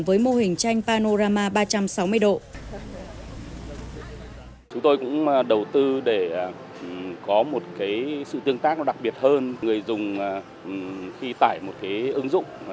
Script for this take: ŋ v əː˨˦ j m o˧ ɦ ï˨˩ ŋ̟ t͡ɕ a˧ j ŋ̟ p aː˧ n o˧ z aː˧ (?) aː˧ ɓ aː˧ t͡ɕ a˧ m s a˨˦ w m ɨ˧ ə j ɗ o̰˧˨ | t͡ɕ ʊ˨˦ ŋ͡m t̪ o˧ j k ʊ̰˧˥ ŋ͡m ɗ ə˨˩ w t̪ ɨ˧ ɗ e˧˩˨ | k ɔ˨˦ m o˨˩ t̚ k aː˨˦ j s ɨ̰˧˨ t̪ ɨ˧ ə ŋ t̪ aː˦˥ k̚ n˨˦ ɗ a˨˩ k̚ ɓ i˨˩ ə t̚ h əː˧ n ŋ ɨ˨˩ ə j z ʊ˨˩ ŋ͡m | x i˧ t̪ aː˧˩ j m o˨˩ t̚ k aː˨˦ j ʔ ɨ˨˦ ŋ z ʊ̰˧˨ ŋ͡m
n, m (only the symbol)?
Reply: m